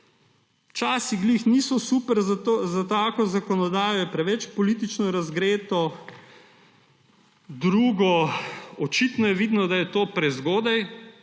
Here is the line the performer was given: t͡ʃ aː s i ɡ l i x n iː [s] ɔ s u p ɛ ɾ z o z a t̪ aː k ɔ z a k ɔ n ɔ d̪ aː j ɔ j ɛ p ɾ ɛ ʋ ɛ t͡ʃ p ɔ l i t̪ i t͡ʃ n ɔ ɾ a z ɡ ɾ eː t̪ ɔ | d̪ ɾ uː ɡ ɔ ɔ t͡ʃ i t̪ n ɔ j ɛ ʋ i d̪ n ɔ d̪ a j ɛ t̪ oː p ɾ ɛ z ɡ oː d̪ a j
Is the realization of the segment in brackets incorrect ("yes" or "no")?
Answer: no